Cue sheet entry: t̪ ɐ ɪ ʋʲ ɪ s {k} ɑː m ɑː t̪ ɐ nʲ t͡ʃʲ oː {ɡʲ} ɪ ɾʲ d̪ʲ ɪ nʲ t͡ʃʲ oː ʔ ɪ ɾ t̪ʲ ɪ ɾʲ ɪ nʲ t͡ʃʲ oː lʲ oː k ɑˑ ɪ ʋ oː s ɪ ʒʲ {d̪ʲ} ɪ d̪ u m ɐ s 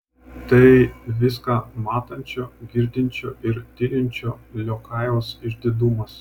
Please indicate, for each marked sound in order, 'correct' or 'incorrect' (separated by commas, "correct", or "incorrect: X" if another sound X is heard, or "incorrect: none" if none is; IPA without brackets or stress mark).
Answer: correct, correct, correct